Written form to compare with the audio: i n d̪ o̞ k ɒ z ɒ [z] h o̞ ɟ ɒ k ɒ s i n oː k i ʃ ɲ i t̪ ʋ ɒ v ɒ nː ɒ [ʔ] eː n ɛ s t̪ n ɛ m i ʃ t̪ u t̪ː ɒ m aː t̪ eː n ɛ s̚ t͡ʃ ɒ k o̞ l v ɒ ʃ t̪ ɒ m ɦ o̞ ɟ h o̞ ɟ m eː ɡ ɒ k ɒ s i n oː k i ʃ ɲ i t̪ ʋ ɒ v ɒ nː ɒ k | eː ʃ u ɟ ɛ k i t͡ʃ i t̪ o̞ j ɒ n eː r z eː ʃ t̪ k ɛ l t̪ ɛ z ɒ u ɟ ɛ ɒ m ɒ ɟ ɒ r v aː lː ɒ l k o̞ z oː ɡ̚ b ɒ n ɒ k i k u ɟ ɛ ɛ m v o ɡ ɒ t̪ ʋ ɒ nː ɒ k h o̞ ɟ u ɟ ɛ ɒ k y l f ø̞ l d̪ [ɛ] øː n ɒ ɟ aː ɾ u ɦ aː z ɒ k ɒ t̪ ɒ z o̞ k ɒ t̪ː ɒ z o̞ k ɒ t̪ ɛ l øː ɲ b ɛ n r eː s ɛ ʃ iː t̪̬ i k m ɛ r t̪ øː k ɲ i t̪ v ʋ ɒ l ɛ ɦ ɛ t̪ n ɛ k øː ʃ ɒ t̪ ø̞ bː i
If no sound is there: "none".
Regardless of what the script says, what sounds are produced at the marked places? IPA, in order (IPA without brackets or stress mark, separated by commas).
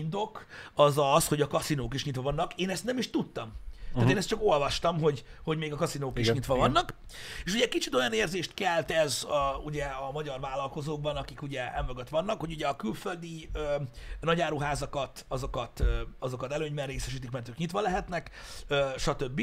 s, k, i